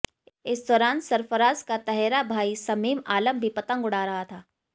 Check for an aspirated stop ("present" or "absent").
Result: present